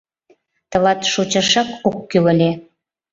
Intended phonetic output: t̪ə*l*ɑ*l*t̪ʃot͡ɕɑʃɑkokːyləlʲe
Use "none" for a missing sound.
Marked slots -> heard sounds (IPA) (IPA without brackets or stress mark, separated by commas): l, none